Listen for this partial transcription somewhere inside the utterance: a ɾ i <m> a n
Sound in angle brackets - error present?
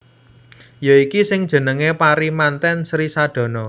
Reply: no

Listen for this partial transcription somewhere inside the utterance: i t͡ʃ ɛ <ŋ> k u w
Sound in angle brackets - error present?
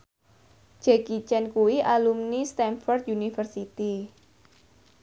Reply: yes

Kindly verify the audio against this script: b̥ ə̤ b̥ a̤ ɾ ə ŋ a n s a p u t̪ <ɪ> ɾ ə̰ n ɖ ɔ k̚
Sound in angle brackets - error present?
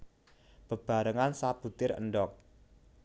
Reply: no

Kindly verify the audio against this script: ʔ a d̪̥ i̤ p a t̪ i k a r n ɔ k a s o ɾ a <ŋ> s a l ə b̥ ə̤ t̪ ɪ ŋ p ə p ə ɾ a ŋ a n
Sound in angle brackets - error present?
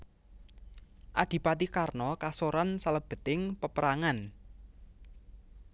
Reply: yes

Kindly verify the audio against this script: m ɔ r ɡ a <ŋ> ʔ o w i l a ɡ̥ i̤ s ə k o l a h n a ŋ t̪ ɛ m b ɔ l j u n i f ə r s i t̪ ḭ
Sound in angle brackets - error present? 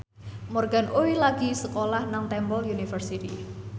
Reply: yes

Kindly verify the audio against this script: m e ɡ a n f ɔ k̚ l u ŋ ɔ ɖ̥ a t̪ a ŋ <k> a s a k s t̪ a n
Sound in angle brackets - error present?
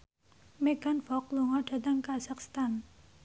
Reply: no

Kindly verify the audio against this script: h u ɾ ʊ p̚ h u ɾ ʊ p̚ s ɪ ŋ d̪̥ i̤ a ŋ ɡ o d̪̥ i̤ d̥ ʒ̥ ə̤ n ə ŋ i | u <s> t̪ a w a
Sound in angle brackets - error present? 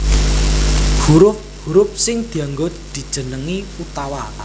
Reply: yes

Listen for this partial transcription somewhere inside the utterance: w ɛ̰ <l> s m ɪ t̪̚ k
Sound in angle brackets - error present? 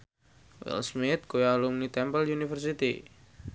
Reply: no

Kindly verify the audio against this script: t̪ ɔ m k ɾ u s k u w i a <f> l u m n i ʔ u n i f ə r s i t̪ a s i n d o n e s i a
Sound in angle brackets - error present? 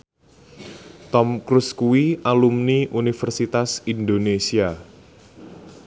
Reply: yes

